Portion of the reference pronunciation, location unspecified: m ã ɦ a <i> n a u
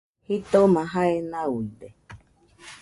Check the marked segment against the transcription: incorrect: e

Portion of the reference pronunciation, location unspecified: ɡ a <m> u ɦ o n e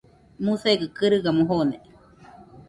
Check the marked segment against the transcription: correct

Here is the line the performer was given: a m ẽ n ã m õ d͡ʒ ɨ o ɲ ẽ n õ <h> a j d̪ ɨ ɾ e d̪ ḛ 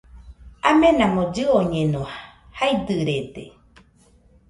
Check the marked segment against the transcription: correct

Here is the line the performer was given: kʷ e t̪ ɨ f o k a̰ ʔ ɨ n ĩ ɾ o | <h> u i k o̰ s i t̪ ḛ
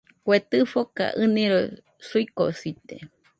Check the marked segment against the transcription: incorrect: s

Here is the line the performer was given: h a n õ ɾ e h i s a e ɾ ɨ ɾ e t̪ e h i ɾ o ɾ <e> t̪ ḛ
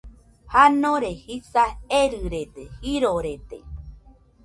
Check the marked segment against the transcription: correct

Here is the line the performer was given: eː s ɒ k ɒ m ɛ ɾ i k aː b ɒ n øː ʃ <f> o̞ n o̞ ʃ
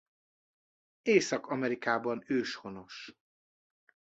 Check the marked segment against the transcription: incorrect: h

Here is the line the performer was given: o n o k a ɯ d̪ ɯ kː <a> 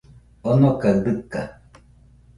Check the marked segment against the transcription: correct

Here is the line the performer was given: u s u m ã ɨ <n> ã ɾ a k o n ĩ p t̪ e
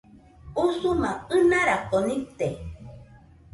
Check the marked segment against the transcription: correct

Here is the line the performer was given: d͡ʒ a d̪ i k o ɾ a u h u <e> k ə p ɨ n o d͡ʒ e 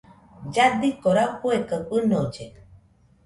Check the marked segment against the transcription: correct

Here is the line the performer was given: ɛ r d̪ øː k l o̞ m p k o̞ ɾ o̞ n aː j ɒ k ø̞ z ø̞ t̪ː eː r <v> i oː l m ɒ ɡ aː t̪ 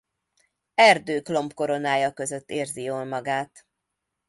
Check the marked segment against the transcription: incorrect: z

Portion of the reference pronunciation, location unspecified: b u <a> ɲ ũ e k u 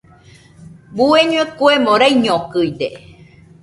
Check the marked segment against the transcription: incorrect: e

